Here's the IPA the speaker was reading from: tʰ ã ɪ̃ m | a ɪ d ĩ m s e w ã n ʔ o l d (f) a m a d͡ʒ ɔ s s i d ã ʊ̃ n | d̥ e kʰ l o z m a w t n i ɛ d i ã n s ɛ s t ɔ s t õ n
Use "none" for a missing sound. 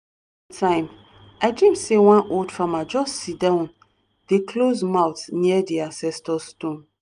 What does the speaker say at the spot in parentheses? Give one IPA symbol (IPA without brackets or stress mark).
f